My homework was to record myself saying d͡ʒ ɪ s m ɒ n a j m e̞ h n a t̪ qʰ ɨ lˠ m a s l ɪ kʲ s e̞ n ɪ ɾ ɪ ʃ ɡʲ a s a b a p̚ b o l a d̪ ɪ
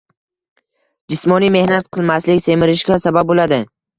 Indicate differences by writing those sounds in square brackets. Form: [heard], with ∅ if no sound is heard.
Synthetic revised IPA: d͡ʒ ɪ s m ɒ n [i] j m e̞ h n a t̪ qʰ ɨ lˠ m a s l ɪ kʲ s e̞ [m] ɪ ɾ ɪ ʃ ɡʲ a s a b a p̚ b o l a d̪ ɪ